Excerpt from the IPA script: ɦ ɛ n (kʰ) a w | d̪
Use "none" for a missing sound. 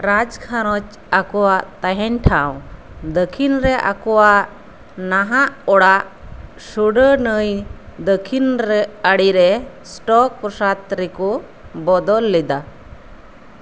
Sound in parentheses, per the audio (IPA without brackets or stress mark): ʈʰ